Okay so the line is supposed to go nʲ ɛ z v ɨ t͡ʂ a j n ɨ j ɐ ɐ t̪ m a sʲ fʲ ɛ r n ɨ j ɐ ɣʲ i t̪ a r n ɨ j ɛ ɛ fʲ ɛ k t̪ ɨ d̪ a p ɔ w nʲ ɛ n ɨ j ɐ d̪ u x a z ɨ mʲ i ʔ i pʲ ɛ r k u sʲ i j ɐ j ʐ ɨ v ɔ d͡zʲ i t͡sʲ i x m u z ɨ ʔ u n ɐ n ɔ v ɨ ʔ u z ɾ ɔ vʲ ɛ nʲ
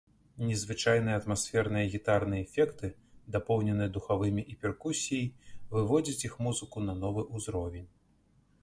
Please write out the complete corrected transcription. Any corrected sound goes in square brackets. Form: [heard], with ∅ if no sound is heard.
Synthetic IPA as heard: nʲ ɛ z v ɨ t͡ʂ a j n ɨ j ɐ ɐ t̪ m a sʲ fʲ ɛ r n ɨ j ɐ ɣʲ i t̪ a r n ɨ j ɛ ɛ fʲ ɛ k t̪ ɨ d̪ a p ɔ w nʲ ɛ n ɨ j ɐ d̪ u x a [v] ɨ mʲ i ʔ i pʲ ɛ r k u sʲ i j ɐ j [v] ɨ v ɔ d͡zʲ i t͡sʲ i x m u z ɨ [k] u n ɐ n ɔ v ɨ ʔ u z ɾ ɔ vʲ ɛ nʲ